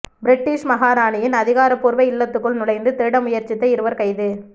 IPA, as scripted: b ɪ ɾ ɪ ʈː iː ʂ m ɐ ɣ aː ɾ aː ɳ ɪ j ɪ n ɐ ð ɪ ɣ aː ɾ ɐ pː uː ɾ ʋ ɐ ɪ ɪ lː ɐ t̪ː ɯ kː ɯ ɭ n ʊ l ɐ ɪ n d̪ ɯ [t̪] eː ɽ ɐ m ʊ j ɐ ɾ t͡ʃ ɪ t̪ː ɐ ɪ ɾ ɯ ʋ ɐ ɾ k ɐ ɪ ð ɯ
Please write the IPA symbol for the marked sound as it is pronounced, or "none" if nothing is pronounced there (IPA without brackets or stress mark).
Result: t̪